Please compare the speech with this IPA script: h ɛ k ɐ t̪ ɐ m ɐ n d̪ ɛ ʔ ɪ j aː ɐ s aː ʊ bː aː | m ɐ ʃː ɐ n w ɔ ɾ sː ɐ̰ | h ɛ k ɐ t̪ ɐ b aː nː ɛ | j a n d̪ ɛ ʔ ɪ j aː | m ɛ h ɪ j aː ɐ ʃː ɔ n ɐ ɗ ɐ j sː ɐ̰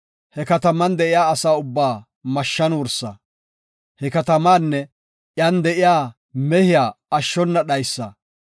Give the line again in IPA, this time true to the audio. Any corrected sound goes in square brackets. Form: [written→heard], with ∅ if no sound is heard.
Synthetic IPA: h ɛ k ɐ t̪ ɐ m ɐ n d̪ ɛ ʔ ɪ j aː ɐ s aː ʊ bː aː | m ɐ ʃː ɐ n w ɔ ɾ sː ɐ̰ | h ɛ k ɐ t̪ ɐ [b→m] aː nː ɛ | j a n d̪ ɛ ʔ ɪ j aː | m ɛ h ɪ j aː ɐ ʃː ɔ [n→nː] ɐ ɗ ɐ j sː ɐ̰

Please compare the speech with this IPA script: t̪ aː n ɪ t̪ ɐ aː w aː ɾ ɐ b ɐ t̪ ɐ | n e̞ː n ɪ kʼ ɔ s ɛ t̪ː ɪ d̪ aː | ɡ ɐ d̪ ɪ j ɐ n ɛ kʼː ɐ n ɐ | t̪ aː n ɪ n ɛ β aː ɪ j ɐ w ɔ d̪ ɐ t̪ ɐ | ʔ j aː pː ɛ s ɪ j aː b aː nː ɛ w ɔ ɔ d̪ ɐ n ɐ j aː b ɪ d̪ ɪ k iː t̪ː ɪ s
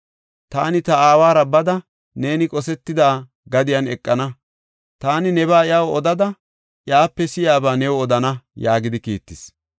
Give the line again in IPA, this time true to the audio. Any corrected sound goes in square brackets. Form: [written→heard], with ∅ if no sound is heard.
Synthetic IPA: t̪ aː n ɪ t̪ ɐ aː w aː ɾ ɐ b ɐ [t̪→d̪] ɐ | n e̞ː n ɪ kʼ ɔ s ɛ t̪ː ɪ d̪ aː | ɡ ɐ d̪ ɪ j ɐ n ɛ kʼː ɐ n ɐ | t̪ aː n ɪ n ɛ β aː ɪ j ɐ w ɔ d̪ ɐ [t̪→d̪] ɐ | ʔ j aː pː ɛ s ɪ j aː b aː [nː→n] ɛ w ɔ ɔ d̪ ɐ n ɐ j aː [b→ɡ] ɪ d̪ ɪ k iː t̪ː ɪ s

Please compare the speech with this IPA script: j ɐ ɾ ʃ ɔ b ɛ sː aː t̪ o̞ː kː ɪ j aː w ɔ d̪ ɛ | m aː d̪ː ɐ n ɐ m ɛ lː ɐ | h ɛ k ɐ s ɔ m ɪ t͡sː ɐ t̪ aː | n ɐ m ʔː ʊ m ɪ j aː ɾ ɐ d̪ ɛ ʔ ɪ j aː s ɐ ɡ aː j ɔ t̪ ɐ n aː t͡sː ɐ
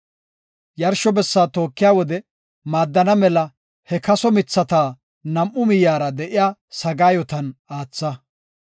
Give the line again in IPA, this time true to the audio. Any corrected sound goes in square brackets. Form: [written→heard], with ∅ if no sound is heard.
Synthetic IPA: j ɐ ɾ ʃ ɔ b ɛ sː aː t̪ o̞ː kː ɪ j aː w ɔ d̪ ɛ | m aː d̪ː ɐ n ɐ m ɛ [lː→l] ɐ | h ɛ k ɐ s ɔ m ɪ t͡sː ɐ t̪ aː | n ɐ m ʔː ʊ m ɪ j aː ɾ ɐ d̪ ɛ ʔ ɪ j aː s ɐ ɡ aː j ɔ t̪ ɐ n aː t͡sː ɐ

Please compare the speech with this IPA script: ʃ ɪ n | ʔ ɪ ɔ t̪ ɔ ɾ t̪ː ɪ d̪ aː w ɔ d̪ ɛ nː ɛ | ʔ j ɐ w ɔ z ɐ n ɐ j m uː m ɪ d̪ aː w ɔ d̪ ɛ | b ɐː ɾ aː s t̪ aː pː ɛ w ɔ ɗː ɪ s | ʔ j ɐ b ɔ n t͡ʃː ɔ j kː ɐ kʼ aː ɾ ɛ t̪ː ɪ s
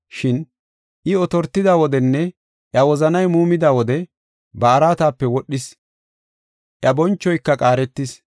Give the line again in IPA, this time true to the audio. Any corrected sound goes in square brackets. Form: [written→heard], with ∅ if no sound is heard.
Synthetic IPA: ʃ ɪ n | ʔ ɪ ɔ t̪ ɔ ɾ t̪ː ɪ d̪ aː w ɔ d̪ ɛ nː ɛ | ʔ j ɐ w ɔ z ɐ n ɐ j m uː m ɪ d̪ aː w ɔ d̪ ɛ | b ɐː ɾ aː [s→∅] t̪ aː pː ɛ w ɔ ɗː ɪ s | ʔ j ɐ b ɔ n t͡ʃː ɔ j kː ɐ kʼ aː ɾ ɛ t̪ː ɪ s

